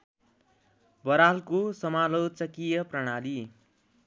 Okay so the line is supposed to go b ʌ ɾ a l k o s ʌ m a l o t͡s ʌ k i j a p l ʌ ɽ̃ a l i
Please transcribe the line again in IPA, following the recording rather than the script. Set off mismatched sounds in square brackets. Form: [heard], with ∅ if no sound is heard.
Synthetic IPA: b ʌ ɾ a l k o s ʌ m a l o t͡s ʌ k i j [ʌ] p [r] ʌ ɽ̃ a l i